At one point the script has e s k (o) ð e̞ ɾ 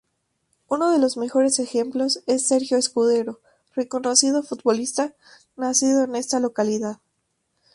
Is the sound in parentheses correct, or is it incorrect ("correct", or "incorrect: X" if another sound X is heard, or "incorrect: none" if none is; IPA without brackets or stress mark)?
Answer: incorrect: u